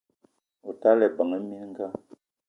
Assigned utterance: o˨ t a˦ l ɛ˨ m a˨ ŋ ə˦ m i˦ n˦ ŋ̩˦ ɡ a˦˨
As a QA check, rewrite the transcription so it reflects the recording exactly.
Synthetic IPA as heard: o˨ t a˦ l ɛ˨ b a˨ ŋ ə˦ m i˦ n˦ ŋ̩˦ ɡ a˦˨